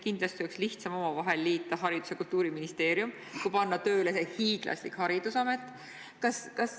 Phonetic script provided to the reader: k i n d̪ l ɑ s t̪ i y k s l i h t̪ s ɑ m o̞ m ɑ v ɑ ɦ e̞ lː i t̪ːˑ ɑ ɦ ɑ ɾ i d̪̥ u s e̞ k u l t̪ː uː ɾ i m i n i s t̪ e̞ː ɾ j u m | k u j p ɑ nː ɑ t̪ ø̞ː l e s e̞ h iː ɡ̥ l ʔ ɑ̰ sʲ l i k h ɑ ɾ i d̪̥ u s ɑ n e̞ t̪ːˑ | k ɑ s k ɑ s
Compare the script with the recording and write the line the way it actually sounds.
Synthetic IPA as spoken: k i n d̪ l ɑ s t̪ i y k s l i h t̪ s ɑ m o̞ m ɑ v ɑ ɦ e̞ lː iː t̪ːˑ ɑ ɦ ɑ ɾ i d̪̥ u s e̞ k u l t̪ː uː ɾ i m i n i s t̪ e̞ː ɾ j u m | k u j p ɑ nː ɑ t̪ ø̞ː l e s e̞ h iː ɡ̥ l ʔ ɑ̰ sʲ l i k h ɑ ɾ i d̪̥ u s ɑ m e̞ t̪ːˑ | k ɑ s k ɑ s